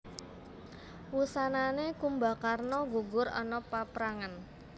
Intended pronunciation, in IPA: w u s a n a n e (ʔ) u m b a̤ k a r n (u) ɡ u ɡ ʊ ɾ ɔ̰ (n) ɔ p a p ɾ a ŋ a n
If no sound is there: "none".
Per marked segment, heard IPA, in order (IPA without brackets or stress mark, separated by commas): k, ɔ, n